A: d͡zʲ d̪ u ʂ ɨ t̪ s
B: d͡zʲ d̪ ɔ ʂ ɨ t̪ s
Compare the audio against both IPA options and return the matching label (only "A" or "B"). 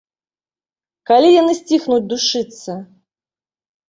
A